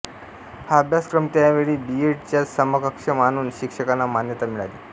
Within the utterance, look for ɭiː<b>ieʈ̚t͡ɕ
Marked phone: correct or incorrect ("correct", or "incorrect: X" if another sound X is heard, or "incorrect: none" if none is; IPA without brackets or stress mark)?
correct